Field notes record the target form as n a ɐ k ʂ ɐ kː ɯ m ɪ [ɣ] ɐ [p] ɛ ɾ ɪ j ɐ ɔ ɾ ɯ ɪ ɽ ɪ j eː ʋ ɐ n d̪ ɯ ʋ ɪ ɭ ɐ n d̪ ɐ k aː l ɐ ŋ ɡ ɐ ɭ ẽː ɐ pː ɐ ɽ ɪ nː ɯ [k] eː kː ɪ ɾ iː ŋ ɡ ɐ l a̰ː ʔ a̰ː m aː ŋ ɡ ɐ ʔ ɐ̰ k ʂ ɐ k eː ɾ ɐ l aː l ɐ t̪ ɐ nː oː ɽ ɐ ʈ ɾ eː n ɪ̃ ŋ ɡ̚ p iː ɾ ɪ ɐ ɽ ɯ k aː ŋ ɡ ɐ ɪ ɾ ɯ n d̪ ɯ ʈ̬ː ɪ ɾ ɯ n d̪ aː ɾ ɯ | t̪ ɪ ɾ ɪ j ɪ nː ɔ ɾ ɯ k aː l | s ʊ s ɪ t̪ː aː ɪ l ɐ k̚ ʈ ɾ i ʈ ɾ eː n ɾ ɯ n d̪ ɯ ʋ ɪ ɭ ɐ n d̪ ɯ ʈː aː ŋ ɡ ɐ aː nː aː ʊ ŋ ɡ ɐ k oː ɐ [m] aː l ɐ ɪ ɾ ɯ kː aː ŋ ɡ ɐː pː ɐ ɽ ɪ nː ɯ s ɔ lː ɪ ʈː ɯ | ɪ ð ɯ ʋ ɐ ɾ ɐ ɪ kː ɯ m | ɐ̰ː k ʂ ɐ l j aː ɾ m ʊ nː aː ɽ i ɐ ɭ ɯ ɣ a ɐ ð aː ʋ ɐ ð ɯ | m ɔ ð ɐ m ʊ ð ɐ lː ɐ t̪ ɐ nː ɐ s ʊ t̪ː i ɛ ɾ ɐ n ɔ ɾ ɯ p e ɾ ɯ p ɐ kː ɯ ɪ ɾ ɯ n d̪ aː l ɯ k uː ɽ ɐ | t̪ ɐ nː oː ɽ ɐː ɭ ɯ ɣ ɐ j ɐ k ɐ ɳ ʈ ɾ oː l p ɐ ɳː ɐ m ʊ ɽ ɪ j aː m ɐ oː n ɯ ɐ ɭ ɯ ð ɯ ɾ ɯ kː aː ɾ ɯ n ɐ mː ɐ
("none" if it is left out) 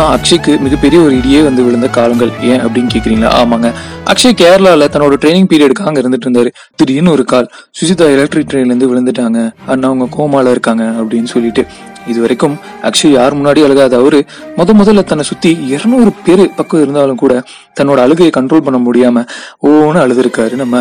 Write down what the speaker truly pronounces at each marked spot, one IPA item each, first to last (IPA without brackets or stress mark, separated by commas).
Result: ɣ, p, k, m